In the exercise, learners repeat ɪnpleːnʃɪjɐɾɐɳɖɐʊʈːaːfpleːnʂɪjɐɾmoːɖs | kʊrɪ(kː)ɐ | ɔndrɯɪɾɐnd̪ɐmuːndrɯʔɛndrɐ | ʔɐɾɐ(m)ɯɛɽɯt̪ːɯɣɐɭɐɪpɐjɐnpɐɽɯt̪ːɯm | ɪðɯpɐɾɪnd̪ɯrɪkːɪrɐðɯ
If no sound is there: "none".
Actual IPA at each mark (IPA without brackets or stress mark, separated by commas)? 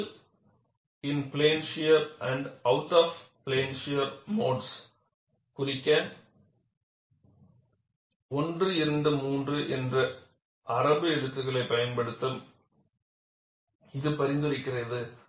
kː, b